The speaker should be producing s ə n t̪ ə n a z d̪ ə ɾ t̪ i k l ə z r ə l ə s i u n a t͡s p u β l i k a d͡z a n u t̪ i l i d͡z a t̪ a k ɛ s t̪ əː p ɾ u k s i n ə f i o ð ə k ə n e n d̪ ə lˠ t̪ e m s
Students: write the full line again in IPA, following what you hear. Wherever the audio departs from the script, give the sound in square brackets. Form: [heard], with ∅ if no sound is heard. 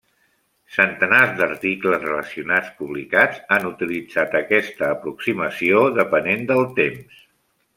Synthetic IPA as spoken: s ə n t̪ ə n a z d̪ ə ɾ t̪ i k l ə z r ə l ə s i u n a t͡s p u β l i k a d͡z a n u t̪ i l i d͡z a t̪ [ə] k ɛ s t̪ əː p ɾ u k s i [m] ə [s] i o ð ə [p] ə n e n d̪ ə lˠ t̪ e m s